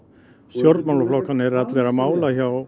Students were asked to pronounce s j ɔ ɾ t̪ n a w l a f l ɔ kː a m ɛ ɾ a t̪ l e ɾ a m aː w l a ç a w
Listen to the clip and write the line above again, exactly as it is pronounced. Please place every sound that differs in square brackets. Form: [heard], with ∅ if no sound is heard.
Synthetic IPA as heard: s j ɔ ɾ t̪ [m] a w l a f l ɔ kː a [n] ɛ ɾ a t̪ l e ɾ a m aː w l a ç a w